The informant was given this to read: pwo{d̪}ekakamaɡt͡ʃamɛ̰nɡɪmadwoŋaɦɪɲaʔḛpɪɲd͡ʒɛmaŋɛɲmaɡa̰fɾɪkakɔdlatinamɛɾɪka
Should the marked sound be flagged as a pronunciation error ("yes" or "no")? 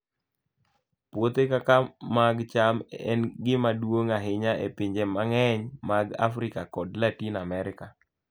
yes